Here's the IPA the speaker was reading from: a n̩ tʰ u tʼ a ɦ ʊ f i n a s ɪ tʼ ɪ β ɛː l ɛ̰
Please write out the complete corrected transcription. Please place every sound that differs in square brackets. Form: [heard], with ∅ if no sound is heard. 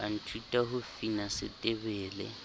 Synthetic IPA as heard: a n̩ tʰ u tʼ a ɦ ʊ f i n a s ɪ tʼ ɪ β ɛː l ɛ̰